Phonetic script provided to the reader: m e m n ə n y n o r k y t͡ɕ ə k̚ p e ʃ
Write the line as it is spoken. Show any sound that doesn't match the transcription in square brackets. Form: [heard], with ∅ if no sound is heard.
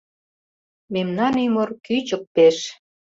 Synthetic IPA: m e m n [ɑ] n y [m] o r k y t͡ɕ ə k̚ p e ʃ